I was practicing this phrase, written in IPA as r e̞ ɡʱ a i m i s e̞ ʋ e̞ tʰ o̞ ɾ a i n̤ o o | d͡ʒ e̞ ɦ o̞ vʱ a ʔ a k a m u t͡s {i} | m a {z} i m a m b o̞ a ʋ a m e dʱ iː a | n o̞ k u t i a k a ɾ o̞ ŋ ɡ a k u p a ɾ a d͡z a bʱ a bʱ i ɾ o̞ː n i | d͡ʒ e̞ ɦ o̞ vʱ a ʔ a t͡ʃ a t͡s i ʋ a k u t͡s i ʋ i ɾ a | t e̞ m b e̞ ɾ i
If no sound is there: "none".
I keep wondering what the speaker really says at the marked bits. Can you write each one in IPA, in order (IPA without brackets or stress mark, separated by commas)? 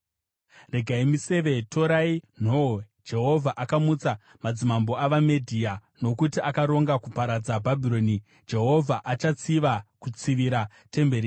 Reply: a, d͡z